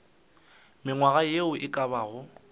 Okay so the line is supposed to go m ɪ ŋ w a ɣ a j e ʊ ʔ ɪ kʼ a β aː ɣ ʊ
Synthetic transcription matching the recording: m ɪ ŋ w a ɣ a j e ʊ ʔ ɪ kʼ a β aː ɣ ʊ